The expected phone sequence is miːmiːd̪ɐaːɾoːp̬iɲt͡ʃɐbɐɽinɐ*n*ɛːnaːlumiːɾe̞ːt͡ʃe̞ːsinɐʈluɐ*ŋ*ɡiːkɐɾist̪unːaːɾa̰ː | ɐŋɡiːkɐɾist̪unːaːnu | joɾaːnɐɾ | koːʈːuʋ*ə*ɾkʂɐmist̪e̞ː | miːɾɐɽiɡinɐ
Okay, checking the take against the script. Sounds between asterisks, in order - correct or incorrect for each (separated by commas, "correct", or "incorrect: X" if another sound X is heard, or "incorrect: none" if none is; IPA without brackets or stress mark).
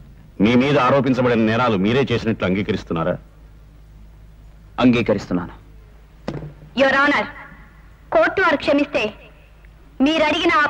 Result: correct, correct, incorrect: ɐ